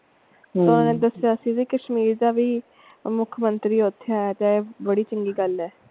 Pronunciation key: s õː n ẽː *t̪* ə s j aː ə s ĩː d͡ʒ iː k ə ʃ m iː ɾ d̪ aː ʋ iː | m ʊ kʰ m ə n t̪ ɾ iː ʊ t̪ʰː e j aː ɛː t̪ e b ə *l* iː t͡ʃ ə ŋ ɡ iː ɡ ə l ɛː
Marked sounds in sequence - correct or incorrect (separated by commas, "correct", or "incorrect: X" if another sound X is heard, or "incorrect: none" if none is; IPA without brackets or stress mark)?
incorrect: d̪, incorrect: ɽ